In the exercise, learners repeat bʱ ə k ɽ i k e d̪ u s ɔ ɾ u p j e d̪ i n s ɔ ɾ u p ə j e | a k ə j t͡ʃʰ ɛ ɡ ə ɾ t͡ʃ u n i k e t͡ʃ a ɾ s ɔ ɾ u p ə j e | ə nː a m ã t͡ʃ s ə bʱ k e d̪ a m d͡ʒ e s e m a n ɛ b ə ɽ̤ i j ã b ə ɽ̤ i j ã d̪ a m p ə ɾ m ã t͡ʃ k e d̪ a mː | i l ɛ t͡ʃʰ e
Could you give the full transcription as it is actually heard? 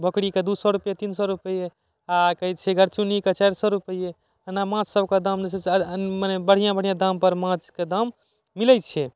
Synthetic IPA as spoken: bʱ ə k ɽ i k e d̪ u s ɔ ɾ u p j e t̪ i n s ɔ ɾ u p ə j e | a k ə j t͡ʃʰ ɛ ɡ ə ɾ t͡ʃ u n i k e t͡ʃ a ɾ s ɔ ɾ u p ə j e | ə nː a m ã t͡ʃ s ə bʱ k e d̪ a m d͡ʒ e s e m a n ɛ b ə ɽ̤ i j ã b ə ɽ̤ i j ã d̪ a m p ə ɾ m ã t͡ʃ k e d̪ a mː | i l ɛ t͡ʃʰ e